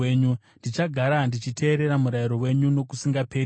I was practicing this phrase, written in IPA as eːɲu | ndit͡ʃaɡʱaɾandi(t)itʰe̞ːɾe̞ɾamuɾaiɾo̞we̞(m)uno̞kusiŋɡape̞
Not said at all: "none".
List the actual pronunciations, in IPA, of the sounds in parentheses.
t͡ʃ, ɲ

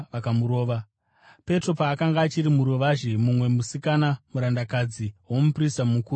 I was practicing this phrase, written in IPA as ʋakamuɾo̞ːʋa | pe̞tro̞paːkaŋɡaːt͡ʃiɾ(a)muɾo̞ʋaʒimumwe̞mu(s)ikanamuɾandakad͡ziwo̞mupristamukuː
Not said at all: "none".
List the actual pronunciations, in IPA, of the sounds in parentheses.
i, s

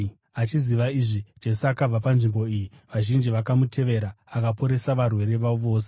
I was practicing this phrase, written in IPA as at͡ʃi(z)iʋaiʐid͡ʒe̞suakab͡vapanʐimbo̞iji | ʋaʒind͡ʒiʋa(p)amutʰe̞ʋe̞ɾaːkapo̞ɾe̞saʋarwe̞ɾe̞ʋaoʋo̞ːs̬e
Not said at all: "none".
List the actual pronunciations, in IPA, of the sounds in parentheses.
z, k

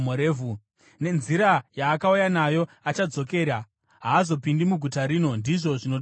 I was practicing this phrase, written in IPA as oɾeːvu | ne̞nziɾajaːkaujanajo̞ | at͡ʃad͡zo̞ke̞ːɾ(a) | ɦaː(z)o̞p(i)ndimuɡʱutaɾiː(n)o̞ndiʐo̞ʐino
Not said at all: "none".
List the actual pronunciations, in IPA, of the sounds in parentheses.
a, z, i, n

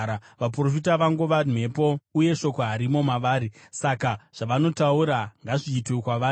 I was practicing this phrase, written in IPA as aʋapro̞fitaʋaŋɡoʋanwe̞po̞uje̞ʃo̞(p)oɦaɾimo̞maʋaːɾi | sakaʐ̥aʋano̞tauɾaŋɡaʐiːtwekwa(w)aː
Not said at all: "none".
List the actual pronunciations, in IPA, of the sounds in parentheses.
k, ʋ

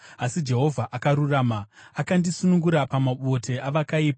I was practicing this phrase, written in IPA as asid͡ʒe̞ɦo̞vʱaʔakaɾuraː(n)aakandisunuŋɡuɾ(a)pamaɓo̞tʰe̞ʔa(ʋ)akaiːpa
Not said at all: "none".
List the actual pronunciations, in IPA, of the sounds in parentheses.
m, a, ʋ

